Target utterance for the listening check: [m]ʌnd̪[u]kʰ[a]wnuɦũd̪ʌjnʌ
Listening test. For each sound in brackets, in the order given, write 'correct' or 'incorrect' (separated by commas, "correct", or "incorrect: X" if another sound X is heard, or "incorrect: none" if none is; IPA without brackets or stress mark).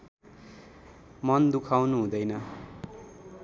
correct, correct, correct